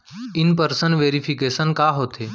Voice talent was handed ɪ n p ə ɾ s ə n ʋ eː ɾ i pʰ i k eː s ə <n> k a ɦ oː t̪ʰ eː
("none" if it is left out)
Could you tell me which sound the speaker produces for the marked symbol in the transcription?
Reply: n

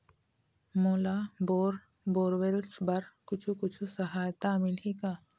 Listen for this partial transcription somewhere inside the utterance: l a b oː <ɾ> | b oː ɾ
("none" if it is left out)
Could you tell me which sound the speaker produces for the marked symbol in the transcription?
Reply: ɾ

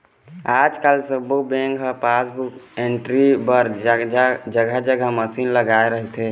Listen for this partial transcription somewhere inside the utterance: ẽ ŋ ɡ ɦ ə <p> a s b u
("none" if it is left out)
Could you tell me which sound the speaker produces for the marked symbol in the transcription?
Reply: p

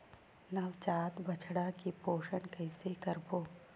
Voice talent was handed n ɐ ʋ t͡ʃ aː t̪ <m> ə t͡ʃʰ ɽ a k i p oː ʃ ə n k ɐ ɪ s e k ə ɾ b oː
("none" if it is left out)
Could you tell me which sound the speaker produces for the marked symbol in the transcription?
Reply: b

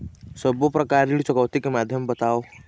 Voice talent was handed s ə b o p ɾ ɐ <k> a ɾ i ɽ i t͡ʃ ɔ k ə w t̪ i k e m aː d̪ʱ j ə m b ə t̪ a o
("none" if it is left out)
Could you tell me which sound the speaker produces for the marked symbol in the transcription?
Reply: k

